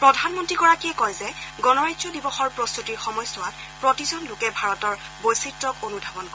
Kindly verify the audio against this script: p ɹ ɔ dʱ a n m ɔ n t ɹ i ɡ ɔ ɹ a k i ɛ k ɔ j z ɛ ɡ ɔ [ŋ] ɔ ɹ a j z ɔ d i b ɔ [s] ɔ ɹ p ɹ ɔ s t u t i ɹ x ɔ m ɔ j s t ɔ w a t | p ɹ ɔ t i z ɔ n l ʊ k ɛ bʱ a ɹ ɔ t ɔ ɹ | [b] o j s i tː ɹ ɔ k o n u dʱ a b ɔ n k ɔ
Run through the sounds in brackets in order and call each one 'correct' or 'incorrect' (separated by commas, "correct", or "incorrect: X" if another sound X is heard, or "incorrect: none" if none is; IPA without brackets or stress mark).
incorrect: n, incorrect: x, correct